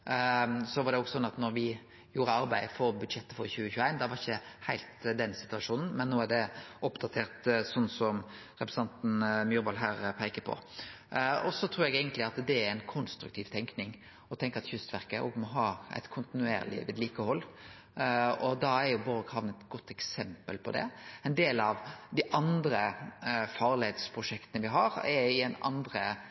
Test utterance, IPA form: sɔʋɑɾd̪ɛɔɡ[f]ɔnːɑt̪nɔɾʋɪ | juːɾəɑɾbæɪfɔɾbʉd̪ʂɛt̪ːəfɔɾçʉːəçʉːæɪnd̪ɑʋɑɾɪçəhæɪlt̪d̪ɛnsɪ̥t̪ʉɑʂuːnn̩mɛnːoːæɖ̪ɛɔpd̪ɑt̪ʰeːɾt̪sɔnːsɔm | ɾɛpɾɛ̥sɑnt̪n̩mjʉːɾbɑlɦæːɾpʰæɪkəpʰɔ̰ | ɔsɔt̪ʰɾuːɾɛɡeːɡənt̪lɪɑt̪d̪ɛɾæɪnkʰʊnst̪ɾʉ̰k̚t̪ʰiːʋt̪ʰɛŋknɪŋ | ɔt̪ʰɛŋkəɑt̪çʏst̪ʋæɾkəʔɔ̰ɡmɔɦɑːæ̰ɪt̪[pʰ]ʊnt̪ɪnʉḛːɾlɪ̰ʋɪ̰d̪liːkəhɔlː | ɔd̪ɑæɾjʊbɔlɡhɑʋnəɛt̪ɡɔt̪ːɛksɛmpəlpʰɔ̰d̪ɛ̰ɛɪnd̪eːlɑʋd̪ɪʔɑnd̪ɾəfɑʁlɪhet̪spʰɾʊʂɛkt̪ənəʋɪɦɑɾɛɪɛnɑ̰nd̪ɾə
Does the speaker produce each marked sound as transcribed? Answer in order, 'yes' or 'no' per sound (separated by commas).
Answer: no, no